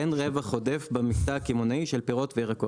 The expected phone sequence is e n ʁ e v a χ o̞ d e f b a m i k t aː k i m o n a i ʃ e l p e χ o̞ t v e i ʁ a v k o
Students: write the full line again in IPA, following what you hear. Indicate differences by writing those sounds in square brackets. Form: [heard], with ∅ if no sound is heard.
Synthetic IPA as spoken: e n ʁ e v a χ o̞ d e f b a m i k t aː k i m o n a i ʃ e l p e [ʁ] o̞ t v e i ʁ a [∅] k o